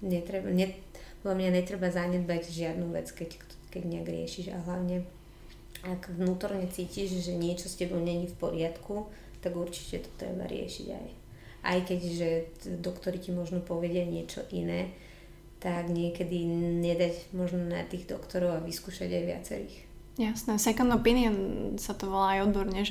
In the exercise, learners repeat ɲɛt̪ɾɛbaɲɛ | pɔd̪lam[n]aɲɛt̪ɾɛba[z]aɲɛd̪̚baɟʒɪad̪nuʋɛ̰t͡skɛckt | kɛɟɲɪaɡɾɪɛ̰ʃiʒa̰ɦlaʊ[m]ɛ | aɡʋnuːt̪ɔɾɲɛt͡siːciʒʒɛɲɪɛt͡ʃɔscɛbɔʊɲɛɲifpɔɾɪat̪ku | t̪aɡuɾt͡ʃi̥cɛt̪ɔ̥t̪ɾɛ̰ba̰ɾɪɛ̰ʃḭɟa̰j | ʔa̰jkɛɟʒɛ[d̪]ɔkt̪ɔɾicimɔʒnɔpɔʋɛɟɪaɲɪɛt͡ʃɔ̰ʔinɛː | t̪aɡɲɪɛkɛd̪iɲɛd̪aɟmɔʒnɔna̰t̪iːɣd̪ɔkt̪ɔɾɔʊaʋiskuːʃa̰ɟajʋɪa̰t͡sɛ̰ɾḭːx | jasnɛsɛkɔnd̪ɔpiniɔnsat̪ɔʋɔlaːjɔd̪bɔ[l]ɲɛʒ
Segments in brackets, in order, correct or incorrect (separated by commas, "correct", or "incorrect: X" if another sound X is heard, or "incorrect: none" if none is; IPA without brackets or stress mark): incorrect: ɲ, correct, incorrect: ɲ, correct, incorrect: ɾ